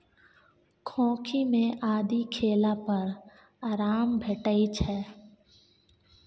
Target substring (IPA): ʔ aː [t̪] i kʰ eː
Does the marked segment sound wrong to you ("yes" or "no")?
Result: yes